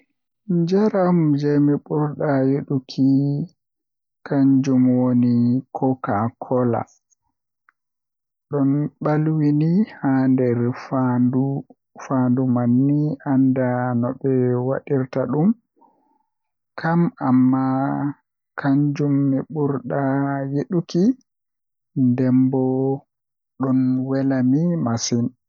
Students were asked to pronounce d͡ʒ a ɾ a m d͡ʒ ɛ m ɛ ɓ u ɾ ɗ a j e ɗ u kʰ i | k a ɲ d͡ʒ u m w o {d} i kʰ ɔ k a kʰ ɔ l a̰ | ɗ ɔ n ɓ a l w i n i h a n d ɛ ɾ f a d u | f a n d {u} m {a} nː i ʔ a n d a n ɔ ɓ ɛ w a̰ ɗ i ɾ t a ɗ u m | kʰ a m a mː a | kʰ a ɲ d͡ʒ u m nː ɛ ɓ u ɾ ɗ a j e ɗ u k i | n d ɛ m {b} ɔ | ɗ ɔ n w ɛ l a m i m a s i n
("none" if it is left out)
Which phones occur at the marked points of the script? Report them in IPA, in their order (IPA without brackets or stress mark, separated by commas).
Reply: n, u, a, b